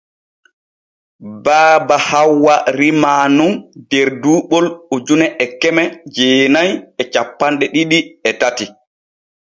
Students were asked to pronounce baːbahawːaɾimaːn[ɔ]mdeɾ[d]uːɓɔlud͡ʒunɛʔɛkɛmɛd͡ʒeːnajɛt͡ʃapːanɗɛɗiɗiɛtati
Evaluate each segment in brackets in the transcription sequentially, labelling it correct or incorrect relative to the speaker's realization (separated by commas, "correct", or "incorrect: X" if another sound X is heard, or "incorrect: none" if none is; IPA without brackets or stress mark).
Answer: incorrect: u, correct